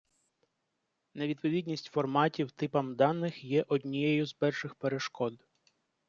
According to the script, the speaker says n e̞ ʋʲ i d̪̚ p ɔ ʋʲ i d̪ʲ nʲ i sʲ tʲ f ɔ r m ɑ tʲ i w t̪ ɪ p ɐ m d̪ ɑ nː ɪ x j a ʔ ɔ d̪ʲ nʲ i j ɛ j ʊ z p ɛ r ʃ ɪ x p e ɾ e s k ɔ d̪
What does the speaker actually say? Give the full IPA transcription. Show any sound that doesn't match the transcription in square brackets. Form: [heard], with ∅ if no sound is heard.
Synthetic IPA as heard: n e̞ ʋʲ i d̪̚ p ɔ ʋʲ i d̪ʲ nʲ i sʲ tʲ f ɔ r m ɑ tʲ i w t̪ ɪ p ɐ m d̪ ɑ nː ɪ x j [ɛ] ʔ ɔ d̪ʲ nʲ i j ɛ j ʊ z p ɛ r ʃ ɪ x p e ɾ e [ʃ] k ɔ d̪

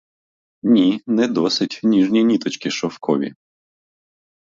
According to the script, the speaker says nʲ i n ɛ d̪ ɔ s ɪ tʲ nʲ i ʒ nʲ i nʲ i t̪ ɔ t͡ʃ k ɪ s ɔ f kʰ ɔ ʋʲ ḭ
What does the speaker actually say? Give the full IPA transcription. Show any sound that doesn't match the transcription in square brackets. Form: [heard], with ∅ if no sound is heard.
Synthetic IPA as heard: nʲ i n ɛ d̪ ɔ s ɪ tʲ nʲ i ʒ nʲ i nʲ i t̪ ɔ t͡ʃ k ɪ [ʃ] ɔ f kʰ ɔ ʋʲ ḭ

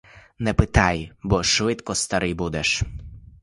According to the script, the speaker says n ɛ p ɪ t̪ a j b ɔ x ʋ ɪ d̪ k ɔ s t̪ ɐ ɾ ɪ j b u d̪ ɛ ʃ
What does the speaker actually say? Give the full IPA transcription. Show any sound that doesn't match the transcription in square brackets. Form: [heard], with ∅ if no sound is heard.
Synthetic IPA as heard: n ɛ p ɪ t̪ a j b ɔ [ʃ] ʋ ɪ [t̪] k ɔ s t̪ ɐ ɾ ɪ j b u d̪ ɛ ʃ

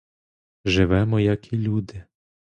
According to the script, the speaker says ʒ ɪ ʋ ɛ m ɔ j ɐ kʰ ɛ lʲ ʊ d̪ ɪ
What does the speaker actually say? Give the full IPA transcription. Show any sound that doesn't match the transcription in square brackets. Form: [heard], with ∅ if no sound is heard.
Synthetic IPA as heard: ʒ ɪ ʋ ɛ m ɔ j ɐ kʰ [i] lʲ [u] d̪ ɪ

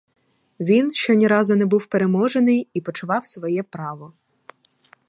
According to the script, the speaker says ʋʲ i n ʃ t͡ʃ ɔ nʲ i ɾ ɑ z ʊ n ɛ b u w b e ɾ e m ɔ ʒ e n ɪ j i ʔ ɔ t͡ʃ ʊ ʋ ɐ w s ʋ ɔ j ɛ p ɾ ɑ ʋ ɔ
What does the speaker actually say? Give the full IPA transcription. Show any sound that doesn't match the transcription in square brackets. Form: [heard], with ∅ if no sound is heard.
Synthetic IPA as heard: ʋʲ i n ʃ t͡ʃ ɔ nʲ i ɾ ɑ z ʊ n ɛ b u w [p] e ɾ e m ɔ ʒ e n ɪ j i [p] ɔ t͡ʃ ʊ ʋ [ɑ] w s ʋ ɔ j ɛ p ɾ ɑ ʋ ɔ

